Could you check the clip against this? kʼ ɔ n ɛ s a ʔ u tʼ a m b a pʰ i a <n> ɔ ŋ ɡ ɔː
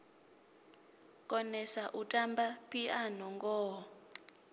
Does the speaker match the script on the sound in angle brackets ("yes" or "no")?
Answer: yes